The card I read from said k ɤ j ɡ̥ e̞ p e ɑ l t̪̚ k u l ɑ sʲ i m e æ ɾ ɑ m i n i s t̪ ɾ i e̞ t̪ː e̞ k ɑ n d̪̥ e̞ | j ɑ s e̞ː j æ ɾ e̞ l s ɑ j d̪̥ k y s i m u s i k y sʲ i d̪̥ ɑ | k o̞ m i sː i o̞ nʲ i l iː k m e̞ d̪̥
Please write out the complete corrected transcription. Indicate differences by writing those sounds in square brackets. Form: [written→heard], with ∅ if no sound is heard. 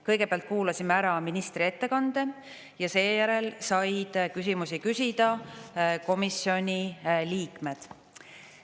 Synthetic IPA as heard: k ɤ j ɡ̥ e̞ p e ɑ l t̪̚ k [u→uː] l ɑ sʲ i m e æ ɾ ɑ m i n i s t̪ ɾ i e̞ t̪ː e̞ k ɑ n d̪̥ e̞ | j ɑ s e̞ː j æ ɾ e̞ l s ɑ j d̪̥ k y s i m u s i k y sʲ i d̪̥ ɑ | k o̞ m i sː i o̞ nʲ i l iː k m e̞ d̪̥